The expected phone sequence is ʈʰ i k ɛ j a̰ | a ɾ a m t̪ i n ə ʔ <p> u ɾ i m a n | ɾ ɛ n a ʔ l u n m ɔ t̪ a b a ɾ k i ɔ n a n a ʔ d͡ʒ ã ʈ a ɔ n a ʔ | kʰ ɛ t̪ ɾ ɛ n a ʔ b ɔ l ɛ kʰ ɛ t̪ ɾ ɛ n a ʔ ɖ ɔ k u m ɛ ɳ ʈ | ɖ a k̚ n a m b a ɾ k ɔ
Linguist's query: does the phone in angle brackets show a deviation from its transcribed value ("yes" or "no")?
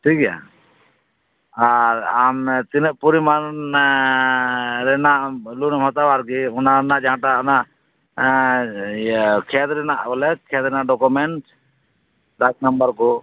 no